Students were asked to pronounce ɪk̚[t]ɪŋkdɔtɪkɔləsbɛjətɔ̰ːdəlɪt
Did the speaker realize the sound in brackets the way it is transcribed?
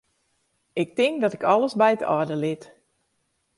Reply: yes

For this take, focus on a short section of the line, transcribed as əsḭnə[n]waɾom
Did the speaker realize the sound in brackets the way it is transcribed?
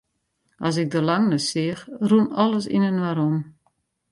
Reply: yes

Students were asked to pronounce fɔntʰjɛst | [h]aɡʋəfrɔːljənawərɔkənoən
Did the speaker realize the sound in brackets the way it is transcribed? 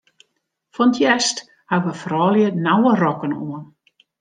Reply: yes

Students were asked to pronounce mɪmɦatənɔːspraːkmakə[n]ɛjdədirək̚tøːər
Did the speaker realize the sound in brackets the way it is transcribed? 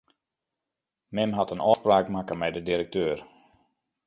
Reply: no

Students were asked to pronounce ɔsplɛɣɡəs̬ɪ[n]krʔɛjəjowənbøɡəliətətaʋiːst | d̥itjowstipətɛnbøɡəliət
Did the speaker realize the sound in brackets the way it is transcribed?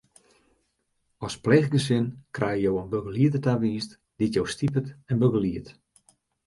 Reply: yes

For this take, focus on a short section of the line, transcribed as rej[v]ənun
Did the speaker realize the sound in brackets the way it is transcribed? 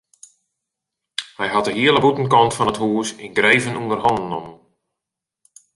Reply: yes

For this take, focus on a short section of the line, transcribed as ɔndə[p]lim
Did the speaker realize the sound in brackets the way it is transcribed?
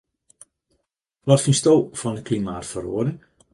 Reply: no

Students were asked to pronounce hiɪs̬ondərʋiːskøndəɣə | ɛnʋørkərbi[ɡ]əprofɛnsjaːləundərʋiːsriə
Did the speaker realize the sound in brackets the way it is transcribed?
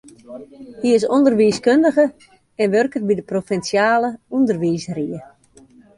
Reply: no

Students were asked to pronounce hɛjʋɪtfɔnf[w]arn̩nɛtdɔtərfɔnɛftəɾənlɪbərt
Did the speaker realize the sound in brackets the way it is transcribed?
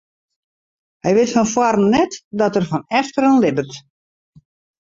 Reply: yes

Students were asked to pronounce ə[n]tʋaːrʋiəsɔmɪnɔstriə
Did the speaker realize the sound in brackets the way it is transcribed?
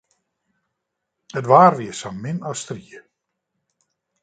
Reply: no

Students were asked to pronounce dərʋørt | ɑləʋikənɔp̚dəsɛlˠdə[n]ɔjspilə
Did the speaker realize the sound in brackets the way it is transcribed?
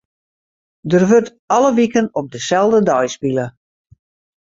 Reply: no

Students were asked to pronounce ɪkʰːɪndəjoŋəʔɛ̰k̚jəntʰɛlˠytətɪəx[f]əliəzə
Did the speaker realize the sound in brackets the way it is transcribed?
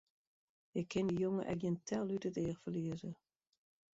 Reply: yes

